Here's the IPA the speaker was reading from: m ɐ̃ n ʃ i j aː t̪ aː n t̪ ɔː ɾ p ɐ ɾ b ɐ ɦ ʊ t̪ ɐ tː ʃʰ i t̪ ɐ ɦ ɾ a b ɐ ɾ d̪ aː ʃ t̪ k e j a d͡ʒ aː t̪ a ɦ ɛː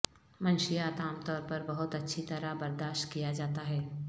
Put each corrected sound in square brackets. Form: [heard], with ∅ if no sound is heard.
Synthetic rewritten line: m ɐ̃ n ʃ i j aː t̪ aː [m] t̪ ɔː ɾ p ɐ ɾ b ɐ ɦ ʊ t̪ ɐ tː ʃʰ i t̪ ɐ [∅] ɾ a b ɐ ɾ d̪ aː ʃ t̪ k [i] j a d͡ʒ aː t̪ a ɦ ɛː